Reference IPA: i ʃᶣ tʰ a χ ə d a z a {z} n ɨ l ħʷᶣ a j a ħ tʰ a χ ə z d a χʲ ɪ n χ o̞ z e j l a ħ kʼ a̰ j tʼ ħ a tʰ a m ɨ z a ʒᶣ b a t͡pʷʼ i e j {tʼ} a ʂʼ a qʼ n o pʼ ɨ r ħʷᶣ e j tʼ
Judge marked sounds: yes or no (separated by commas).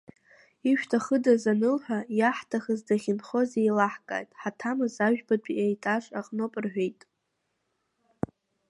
no, yes